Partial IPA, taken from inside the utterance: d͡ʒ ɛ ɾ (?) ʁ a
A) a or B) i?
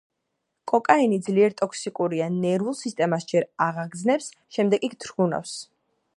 A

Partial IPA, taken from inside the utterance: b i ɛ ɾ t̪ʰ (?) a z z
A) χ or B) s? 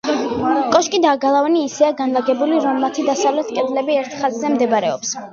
A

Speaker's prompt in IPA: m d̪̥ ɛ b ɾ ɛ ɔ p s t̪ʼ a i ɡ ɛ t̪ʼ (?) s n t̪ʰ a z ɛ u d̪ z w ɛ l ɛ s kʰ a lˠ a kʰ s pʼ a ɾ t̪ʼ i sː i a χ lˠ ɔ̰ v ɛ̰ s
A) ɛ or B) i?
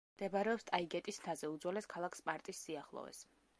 B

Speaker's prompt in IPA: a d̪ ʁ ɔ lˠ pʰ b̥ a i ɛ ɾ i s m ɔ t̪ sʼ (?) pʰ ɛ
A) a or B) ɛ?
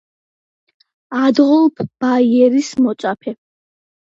A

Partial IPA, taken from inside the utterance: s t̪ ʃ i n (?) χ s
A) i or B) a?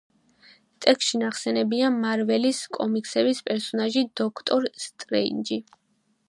B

